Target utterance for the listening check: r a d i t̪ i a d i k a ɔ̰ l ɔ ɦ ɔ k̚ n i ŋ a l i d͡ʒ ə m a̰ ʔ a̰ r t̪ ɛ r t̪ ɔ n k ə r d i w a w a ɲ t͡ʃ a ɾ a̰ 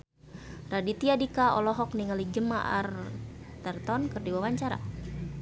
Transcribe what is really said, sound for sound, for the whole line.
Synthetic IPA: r a d i t̪ i a d i k a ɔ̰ l ɔ ɦ ɔ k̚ n i ŋ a l i d͡ʒ ə m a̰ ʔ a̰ r t̪ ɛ r t̪ ɔ n k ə r d i w a w a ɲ t͡ʃ a ɾ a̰